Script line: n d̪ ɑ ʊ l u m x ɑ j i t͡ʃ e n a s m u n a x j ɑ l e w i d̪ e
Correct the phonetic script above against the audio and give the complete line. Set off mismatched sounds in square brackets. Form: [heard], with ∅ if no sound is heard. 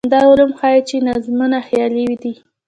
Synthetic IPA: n d̪ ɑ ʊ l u m x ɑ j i t͡ʃ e n a [z] m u n a x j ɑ l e w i d̪ [i]